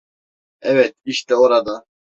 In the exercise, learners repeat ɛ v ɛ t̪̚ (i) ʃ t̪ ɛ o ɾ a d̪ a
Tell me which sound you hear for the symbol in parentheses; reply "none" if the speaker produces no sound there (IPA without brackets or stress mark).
i